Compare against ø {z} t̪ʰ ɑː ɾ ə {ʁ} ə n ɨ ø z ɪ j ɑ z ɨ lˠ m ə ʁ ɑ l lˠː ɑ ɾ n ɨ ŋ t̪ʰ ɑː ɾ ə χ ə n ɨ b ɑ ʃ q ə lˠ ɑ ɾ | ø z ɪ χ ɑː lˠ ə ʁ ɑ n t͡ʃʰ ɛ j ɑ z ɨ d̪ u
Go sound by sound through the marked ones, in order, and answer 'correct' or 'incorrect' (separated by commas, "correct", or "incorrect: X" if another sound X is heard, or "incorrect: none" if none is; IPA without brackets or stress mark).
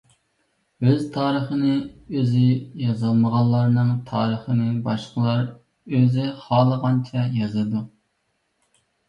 correct, incorrect: χ